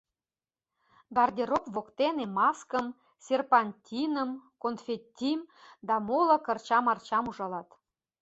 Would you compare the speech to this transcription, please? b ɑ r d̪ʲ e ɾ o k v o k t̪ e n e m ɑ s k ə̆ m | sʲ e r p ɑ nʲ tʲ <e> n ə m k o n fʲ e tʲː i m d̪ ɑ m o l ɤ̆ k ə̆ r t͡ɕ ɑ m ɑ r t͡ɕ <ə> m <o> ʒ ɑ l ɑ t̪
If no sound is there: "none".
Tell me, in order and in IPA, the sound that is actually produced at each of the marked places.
i, ɑ, u

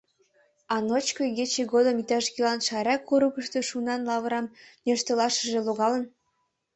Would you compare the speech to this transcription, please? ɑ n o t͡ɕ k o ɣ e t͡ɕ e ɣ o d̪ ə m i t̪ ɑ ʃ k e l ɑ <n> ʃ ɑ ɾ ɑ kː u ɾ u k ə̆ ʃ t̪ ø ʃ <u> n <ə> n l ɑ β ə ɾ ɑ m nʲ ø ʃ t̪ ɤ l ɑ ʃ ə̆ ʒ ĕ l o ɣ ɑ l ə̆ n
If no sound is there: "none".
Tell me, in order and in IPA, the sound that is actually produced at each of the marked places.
n, u, ɑ

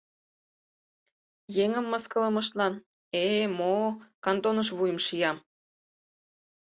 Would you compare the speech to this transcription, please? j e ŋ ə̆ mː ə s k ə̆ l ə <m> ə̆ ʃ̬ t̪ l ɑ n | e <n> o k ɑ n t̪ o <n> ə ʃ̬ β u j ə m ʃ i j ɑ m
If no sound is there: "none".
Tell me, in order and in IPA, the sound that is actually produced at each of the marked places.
m, m, n

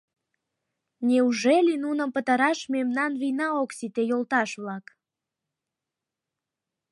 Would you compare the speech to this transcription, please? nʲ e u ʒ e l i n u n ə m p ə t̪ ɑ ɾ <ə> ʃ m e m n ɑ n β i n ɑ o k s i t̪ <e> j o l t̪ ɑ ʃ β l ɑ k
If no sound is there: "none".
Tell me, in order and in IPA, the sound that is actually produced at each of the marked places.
ɑ, e

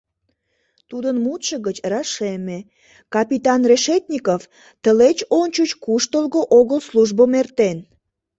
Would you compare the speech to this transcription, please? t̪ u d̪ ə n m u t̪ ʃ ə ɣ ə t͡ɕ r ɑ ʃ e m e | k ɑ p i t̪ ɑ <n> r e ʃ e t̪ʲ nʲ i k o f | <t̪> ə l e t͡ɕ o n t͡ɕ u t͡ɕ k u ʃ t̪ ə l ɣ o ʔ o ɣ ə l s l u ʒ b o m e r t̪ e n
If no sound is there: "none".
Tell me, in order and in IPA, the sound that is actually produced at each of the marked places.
n, t̪

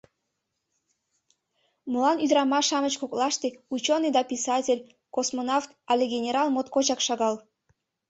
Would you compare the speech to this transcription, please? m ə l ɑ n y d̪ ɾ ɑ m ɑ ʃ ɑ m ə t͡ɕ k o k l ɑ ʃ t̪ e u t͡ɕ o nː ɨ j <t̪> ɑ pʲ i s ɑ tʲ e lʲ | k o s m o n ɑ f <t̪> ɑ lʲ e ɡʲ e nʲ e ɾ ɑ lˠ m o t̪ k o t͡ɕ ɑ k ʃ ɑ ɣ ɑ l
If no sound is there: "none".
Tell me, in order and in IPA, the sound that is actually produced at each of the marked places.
d̪, t̪

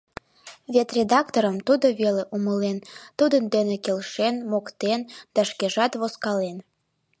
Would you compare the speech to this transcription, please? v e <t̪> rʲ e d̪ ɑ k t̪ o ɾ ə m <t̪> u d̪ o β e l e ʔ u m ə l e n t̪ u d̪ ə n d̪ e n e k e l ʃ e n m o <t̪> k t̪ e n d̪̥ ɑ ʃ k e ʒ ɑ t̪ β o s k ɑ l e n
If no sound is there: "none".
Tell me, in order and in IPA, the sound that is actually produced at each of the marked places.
t̪, t̪, none

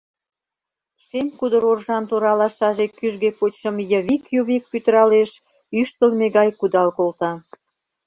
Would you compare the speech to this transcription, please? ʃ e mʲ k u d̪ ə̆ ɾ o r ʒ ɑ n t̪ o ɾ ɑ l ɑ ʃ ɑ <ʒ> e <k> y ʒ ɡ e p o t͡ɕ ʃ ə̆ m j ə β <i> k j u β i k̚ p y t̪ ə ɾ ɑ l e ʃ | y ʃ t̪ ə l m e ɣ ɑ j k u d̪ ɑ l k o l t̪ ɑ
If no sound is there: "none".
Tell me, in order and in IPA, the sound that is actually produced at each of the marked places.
ʒ, k, i

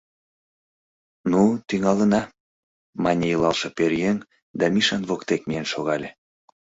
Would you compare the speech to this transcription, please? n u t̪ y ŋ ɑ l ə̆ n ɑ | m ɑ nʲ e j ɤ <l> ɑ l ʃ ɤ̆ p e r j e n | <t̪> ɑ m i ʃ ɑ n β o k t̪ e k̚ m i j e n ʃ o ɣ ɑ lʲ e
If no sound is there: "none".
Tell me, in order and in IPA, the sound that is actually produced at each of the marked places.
l, d̪

